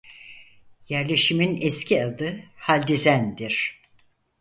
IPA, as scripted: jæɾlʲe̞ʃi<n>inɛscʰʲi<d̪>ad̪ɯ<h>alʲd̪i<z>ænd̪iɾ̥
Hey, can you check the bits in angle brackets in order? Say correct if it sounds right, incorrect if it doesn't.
incorrect: m, incorrect: none, correct, correct

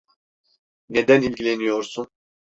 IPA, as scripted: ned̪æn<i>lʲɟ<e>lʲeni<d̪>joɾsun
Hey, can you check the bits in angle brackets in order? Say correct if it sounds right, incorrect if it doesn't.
correct, incorrect: i, incorrect: none

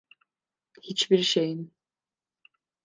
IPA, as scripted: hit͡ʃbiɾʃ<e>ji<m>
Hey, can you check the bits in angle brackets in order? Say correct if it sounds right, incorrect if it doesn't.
correct, incorrect: n

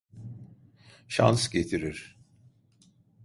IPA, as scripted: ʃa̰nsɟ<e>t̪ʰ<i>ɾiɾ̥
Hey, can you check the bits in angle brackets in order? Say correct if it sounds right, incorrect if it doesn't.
correct, correct

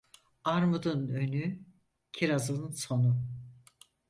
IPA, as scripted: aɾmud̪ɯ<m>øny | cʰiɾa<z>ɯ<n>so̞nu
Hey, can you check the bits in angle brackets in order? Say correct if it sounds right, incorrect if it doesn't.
incorrect: n, correct, correct

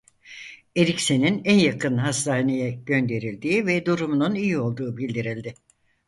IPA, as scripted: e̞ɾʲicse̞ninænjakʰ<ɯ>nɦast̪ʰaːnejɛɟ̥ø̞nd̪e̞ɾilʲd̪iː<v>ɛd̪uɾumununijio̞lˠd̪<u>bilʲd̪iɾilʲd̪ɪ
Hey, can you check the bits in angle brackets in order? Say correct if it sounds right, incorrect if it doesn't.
correct, correct, incorrect: uː

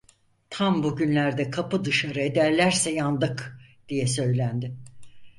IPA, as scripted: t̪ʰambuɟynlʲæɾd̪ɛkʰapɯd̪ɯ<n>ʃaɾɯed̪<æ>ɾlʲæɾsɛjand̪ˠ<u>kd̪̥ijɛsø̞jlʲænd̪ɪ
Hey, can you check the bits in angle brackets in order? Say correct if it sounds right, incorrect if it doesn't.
incorrect: none, correct, incorrect: ɯ

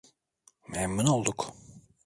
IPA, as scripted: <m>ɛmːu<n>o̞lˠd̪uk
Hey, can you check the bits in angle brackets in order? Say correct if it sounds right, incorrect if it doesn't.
correct, correct

